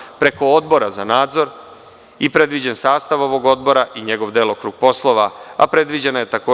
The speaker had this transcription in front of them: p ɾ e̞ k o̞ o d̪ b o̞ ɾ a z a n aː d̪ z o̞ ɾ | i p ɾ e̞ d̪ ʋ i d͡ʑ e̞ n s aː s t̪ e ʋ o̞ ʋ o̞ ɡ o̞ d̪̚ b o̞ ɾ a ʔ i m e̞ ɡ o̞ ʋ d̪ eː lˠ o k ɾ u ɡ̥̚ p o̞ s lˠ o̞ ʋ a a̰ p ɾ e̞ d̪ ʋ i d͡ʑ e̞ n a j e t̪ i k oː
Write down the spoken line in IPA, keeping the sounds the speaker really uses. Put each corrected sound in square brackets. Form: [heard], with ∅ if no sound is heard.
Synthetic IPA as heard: p ɾ e̞ k o̞ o d̪ b o̞ ɾ a z a n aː d̪ z o̞ ɾ | i p ɾ e̞ d̪ ʋ i d͡ʑ e̞ n s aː s t̪ [a] ʋ o̞ ʋ o̞ ɡ o̞ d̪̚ b o̞ ɾ a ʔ i [ɲ] e̞ ɡ o̞ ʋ d̪ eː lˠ o k ɾ u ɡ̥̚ p o̞ s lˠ o̞ ʋ a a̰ p ɾ e̞ d̪ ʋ i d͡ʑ e̞ n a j e t̪ [a] k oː